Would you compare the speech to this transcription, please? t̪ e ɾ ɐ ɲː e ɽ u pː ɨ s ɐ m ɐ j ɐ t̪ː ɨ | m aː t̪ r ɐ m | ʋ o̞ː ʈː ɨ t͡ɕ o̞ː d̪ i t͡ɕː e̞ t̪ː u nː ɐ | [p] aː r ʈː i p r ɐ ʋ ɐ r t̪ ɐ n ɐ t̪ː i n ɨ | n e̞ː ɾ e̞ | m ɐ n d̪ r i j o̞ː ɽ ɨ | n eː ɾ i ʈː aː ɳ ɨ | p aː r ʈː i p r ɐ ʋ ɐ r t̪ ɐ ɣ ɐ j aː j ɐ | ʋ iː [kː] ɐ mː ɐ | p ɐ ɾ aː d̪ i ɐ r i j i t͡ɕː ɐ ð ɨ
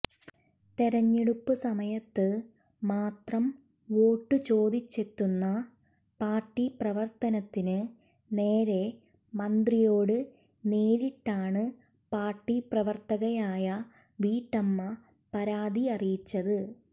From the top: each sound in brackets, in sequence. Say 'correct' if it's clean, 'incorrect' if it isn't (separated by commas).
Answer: correct, incorrect